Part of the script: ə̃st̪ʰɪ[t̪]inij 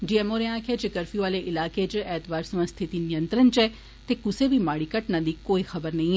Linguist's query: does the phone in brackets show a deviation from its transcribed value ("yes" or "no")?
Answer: no